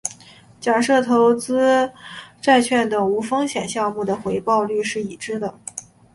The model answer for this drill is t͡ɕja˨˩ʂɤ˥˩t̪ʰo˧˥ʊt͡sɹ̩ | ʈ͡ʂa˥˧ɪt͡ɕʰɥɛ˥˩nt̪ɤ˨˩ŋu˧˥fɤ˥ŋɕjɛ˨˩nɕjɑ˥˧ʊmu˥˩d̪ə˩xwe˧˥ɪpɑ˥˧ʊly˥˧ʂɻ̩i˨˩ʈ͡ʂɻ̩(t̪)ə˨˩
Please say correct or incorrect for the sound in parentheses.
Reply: incorrect